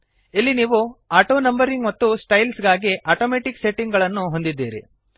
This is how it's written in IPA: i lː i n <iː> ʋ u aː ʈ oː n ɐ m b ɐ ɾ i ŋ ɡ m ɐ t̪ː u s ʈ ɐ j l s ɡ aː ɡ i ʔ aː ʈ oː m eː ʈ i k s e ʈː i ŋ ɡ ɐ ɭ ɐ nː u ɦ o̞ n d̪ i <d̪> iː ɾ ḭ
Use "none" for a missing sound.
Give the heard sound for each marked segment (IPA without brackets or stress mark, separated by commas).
iː, d̪ː